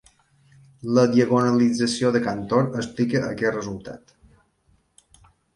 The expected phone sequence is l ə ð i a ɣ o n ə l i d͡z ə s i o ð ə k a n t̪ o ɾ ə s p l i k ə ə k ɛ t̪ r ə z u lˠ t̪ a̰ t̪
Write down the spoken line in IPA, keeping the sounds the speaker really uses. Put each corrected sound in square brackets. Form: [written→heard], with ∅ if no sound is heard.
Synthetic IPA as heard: l ə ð i [a→ə] ɣ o n ə l i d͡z ə s i o ð ə k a n t̪ o ɾ ə s p l i k ə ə k ɛ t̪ r ə z u lˠ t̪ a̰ t̪